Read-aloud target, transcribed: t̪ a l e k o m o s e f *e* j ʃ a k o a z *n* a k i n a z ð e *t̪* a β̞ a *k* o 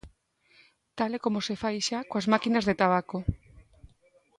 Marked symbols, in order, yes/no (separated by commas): no, no, yes, yes